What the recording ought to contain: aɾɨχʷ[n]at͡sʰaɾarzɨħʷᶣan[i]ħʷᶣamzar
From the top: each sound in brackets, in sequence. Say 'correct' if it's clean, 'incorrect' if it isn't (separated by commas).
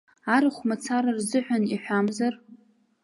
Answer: incorrect, correct